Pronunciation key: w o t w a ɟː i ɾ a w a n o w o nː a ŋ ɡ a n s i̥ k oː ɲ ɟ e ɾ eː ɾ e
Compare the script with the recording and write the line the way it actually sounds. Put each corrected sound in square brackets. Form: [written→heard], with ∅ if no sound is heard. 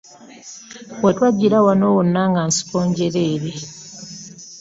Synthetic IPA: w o t w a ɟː i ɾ a w a n o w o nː a ŋ ɡ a n s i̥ k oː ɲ ɟ e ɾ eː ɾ e